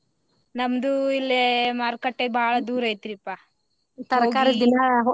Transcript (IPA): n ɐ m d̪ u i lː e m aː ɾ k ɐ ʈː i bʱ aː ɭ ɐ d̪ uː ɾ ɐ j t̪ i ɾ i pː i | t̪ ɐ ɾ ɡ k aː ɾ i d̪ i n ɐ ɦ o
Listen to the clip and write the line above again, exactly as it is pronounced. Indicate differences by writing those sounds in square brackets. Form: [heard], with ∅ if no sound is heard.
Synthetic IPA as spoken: n ɐ m d̪ u i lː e m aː ɾ k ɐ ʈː [e] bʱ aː ɭ ɐ d̪ uː ɾ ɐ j t̪ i ɾ i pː [a] | t̪ ɐ ɾ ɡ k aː ɾ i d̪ i n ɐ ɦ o